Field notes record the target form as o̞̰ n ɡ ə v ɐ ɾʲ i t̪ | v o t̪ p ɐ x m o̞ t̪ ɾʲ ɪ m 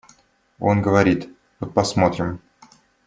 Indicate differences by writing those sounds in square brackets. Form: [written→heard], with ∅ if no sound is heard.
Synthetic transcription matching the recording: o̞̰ n ɡ ə v ɐ ɾʲ i t̪ | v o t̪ p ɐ [x→s] m o̞ t̪ ɾʲ ɪ m